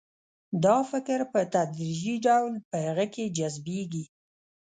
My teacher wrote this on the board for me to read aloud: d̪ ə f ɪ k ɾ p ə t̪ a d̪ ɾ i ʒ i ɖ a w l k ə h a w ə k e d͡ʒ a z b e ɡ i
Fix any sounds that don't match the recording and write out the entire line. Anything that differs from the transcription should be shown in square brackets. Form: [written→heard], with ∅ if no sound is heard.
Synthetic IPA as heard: d̪ [ə→ɑ] f ɪ k ɾ p ə t̪ a d̪ ɾ i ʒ i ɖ a w l [k→p] ə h a [w→ɣ] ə k e d͡ʒ a z b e ɡ i